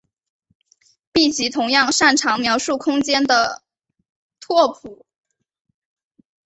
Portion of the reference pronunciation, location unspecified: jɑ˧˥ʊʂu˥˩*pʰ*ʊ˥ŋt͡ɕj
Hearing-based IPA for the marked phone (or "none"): kʰ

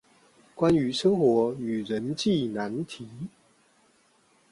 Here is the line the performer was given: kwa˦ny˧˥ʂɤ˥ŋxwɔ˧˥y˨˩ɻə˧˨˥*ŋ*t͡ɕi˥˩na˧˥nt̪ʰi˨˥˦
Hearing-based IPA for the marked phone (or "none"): n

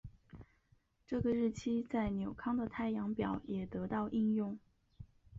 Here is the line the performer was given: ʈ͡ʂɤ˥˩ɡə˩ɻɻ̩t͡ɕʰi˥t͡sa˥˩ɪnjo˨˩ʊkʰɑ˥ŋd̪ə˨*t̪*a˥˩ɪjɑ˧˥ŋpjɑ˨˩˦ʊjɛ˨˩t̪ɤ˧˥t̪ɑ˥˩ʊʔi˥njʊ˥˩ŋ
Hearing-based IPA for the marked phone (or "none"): t̪ʰ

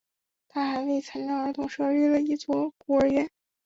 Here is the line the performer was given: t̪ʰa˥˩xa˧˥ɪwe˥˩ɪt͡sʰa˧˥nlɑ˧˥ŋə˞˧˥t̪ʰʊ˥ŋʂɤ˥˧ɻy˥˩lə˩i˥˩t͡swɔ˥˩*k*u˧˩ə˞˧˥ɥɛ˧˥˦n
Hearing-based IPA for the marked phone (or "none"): k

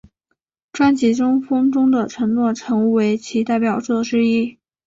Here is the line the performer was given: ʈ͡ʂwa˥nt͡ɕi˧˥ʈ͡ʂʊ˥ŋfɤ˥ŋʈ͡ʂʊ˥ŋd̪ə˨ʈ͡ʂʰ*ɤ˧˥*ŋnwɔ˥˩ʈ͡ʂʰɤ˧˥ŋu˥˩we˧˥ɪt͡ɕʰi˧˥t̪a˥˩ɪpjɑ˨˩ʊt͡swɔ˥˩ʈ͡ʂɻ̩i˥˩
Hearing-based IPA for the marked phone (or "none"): ɤ˧˥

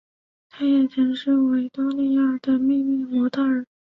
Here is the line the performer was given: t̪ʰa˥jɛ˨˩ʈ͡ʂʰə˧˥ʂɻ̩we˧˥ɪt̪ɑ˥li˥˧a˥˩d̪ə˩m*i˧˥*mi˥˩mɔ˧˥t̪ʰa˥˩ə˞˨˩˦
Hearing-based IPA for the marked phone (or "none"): i˥˧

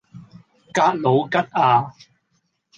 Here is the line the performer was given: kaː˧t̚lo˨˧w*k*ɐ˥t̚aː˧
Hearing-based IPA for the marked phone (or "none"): k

